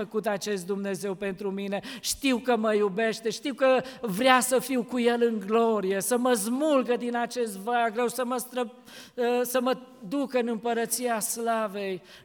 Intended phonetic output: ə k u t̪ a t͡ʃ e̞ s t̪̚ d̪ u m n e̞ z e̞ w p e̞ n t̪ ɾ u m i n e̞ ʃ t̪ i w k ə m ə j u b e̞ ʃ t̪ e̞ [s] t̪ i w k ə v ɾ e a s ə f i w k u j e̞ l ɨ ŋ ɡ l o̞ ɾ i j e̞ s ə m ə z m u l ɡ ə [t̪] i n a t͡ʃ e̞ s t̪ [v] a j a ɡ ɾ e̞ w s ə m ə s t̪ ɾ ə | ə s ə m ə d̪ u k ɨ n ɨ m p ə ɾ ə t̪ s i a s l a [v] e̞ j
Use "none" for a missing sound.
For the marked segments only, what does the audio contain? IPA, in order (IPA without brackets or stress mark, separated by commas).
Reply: ʃ, d̪, v, v